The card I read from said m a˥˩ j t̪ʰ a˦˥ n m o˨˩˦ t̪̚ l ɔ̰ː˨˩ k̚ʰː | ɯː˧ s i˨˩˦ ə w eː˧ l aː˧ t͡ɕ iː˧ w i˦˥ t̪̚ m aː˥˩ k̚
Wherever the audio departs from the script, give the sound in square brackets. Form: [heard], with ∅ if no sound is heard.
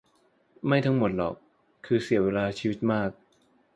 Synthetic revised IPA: m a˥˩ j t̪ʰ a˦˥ [ŋ] m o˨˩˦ t̪̚ l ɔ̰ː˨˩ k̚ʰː | ɯː˧ s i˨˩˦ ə w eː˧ l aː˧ [t͡ɕʰ] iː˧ w i˦˥ t̪̚ m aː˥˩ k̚

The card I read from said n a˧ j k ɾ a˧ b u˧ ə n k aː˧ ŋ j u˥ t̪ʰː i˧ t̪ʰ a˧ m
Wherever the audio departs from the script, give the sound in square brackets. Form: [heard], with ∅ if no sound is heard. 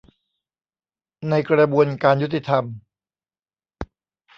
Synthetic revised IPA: n a˧ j k ɾ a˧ b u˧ ə n k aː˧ [n] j u˥ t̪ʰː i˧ t̪ʰ a˧ m

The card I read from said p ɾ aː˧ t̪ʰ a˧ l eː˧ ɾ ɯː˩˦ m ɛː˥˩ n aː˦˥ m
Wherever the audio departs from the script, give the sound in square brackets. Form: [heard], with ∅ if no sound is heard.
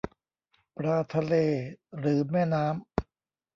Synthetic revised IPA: p ɾ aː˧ t̪ʰ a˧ l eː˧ ɾ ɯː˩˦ m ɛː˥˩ n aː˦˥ m

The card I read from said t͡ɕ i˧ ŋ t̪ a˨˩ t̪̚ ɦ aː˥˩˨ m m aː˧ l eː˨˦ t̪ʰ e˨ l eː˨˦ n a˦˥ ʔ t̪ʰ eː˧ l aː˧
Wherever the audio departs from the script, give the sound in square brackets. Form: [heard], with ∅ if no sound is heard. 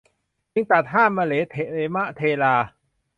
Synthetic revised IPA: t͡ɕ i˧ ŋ t̪ a˨˩ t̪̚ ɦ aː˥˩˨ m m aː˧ l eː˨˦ t̪ʰ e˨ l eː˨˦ [m] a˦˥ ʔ t̪ʰ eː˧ l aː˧

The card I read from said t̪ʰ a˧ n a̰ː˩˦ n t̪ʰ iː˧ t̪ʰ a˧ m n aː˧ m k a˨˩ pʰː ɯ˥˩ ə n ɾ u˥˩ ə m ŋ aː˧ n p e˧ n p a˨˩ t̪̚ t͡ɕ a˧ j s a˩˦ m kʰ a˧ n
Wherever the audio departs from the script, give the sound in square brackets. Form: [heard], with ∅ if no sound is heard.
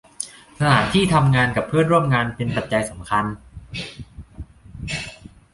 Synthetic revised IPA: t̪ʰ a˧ n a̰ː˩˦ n t̪ʰ [iː˥˩] t̪ʰ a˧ m [ŋ] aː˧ [n] k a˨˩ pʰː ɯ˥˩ ə n ɾ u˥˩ ə m ŋ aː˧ n p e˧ n p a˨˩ t̪̚ t͡ɕ a˧ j s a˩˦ m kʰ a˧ n

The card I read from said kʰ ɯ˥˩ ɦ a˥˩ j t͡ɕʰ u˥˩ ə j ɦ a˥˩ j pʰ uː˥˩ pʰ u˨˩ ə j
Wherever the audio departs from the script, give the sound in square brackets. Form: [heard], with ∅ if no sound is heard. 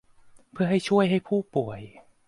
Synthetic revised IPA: [pʰ] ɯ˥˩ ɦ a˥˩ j t͡ɕʰ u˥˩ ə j ɦ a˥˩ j pʰ uː˥˩ [p] u˨˩ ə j

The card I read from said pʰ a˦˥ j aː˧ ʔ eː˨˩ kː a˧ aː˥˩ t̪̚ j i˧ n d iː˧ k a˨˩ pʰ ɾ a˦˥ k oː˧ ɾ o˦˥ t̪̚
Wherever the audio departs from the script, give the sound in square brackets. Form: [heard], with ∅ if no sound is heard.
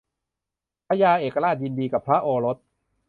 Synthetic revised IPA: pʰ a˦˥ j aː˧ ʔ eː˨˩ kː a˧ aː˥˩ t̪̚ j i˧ n d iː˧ k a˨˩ pʰ ɾ a˦˥ [ʔ] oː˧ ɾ o˦˥ t̪̚

